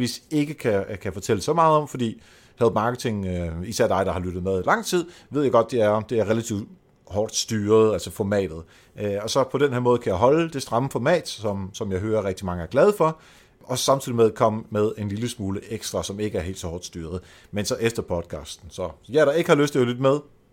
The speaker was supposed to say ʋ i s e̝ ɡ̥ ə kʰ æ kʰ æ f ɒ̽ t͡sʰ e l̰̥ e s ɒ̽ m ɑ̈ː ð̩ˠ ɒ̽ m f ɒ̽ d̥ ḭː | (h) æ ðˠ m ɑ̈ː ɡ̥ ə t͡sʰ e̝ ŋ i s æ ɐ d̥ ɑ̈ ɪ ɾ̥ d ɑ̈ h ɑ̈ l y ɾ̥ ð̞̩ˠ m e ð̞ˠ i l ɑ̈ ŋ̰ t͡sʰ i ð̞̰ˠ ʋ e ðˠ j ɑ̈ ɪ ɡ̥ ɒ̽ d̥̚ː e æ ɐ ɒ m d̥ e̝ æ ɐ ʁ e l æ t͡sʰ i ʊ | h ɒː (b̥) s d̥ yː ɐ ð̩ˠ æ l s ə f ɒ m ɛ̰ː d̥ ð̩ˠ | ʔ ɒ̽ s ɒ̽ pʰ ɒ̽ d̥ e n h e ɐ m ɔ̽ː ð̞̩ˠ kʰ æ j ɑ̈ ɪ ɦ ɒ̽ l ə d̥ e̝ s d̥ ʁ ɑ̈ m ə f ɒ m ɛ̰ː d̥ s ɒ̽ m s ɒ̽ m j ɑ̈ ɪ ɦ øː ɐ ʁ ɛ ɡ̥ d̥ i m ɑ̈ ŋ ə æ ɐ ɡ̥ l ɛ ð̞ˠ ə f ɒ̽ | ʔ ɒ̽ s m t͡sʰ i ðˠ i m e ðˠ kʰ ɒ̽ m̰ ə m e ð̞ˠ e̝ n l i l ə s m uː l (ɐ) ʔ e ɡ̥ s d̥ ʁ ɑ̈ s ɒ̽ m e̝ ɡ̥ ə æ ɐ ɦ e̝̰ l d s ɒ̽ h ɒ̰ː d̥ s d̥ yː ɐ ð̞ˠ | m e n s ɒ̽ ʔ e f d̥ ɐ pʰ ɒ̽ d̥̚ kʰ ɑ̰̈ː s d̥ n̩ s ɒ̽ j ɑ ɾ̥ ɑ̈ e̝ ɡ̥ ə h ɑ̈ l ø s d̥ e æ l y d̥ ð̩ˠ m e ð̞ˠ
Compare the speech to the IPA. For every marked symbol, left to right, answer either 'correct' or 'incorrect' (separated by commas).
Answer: correct, incorrect, incorrect